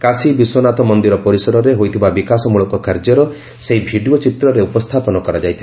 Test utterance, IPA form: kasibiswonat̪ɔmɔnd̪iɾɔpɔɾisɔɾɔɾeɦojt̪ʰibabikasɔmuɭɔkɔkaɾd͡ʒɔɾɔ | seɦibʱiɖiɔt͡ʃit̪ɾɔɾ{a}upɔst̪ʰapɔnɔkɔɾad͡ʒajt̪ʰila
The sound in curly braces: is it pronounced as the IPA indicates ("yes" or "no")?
no